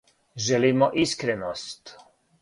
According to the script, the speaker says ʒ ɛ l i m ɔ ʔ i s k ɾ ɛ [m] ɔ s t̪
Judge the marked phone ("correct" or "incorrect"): incorrect